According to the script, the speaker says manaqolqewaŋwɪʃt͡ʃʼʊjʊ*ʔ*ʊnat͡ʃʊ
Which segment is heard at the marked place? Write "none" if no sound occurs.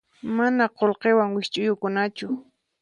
k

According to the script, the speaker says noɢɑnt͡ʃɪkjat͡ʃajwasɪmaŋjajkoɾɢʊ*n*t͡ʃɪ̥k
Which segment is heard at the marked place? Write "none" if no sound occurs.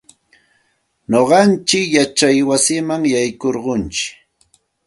n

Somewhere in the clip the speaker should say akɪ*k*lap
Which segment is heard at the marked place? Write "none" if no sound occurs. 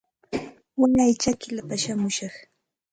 none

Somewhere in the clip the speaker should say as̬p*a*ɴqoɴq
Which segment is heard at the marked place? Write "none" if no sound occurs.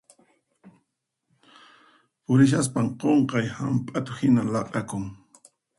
a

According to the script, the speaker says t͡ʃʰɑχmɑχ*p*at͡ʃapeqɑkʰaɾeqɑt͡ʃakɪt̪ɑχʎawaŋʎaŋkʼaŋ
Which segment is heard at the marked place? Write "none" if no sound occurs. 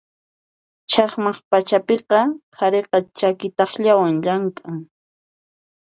p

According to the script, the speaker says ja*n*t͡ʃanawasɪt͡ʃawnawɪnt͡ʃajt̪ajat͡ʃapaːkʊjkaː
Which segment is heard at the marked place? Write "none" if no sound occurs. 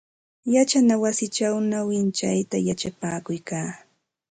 none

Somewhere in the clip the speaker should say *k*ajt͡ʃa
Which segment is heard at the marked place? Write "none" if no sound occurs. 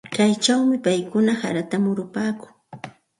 k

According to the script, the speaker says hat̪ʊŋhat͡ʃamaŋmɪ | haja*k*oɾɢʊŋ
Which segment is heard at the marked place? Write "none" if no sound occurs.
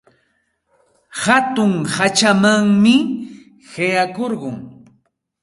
k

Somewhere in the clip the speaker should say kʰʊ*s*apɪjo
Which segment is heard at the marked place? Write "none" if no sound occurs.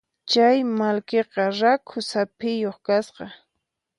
s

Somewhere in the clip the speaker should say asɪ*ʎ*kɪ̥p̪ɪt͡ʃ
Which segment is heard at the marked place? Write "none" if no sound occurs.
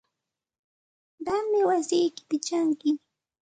j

